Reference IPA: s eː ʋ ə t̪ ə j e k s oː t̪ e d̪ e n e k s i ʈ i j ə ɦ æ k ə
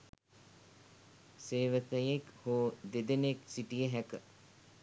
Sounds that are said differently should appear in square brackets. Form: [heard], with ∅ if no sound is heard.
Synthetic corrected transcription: s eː ʋ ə t̪ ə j e k [h] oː [d̪] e d̪ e n e k s i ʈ i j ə ɦ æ k ə